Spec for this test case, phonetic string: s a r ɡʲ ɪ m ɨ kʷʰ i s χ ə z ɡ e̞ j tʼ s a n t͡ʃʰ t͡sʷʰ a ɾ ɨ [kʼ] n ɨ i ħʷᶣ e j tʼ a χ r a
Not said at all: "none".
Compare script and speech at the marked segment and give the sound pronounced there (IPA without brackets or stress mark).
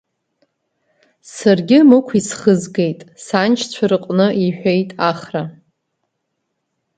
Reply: qʼ